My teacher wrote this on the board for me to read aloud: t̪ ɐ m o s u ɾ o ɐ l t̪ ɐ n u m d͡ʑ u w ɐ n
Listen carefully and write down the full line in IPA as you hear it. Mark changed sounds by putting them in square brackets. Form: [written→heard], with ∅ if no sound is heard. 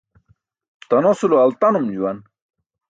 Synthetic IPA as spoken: t̪ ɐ [m→n] o s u [ɾ→l] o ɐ l t̪ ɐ n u m d͡ʑ u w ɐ n

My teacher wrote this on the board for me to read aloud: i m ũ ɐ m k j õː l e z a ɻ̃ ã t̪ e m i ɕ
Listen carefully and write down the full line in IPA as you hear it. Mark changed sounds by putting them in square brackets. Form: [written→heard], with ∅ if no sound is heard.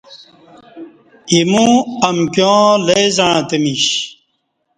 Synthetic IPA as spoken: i m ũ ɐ m k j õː l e z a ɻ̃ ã t̪ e m i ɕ

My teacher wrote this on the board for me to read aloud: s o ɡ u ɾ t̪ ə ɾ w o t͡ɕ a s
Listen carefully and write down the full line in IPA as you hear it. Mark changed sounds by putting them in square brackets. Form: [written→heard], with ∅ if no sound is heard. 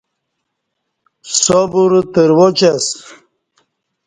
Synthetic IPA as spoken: s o [ɡ→b] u ɾ t̪ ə ɾ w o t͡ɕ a s

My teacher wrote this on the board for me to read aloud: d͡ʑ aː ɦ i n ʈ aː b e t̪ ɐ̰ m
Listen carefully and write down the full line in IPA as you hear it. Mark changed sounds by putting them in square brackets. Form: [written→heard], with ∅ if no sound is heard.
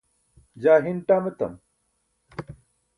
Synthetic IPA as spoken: d͡ʑ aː ɦ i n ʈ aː [b→m] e t̪ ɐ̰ m

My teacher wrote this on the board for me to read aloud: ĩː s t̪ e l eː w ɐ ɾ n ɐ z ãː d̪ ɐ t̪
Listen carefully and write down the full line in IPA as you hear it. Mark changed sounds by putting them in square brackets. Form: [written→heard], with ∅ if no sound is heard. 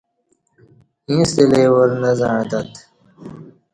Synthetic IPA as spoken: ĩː s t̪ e l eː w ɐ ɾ n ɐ z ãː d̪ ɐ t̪

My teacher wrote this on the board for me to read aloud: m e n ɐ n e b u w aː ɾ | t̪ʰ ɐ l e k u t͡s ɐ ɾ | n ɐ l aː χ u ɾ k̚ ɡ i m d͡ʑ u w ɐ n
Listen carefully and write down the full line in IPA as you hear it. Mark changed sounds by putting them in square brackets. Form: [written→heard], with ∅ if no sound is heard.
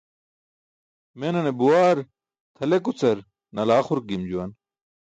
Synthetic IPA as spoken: m e n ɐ n e b u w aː ɾ | t̪ʰ ɐ l e k u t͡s ɐ ɾ | n ɐ l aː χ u ɾ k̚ ɡ i m d͡ʑ u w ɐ n

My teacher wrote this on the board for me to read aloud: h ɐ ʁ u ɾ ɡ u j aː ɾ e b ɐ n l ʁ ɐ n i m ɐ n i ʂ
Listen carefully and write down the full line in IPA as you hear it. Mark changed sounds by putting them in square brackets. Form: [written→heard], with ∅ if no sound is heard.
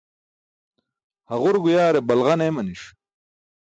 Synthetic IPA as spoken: h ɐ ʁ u ɾ ɡ u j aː ɾ e b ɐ [n→∅] l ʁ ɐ n [i→e] m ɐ n i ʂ

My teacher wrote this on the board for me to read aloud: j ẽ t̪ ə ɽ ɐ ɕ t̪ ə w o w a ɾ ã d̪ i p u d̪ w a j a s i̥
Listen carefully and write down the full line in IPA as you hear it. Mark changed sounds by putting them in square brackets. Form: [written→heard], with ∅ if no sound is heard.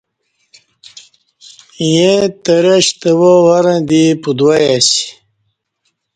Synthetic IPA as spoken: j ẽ t̪ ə [ɽ→ɾ] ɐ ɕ t̪ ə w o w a ɾ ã d̪ i p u d̪ w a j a s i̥

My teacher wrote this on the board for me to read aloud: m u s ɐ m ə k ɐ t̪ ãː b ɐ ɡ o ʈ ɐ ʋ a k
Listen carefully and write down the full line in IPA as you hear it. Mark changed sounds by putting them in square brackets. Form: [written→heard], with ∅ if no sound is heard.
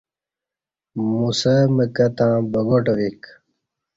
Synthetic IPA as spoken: m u s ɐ m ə k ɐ t̪ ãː b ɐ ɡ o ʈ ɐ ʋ [a→i] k

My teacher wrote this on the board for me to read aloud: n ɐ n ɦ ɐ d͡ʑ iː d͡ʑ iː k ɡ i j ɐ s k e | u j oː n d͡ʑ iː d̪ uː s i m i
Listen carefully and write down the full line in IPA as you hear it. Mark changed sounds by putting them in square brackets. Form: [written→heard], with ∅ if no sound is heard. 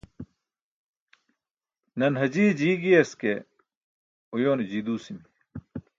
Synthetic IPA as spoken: n ɐ n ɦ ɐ d͡ʑ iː d͡ʑ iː [k→∅] ɡ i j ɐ s k e | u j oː n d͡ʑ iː d̪ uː s i m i

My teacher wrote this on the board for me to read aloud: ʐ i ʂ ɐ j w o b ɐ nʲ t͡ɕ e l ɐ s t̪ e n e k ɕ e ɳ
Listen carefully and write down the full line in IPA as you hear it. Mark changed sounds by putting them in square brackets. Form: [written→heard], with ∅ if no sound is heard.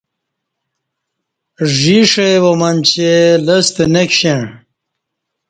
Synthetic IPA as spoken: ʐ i ʂ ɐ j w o [b→m] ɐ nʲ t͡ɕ e l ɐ s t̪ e n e k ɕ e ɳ

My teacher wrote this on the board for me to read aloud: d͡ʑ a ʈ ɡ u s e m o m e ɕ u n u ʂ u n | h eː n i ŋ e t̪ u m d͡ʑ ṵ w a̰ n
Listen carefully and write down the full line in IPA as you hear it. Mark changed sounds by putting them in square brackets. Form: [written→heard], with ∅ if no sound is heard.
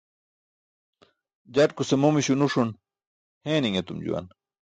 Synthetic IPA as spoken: d͡ʑ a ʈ [ɡ→k] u s e m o m [e→i] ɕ u n u ʂ u n | h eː n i ŋ e t̪ u m d͡ʑ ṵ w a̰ n

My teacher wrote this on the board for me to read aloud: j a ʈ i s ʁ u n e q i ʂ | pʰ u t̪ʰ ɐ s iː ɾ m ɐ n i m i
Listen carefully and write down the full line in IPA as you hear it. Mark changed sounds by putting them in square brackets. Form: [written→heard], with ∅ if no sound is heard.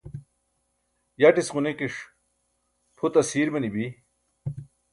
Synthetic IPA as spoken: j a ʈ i s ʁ u n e [q→k] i ʂ | pʰ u [t̪ʰ→t̪] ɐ s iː ɾ m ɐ n i [m→b] i

